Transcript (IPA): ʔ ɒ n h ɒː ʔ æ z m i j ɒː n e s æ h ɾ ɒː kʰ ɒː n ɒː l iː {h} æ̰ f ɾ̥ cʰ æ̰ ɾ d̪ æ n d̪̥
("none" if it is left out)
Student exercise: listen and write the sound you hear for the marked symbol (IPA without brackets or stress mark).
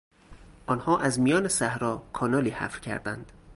h